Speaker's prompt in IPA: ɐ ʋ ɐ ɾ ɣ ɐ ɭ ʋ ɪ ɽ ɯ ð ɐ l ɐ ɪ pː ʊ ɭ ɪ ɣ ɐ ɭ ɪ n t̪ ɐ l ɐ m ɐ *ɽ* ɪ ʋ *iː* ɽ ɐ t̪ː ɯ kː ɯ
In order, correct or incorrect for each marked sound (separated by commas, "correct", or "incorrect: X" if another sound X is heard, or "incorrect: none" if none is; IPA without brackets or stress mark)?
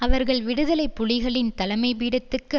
incorrect: none, correct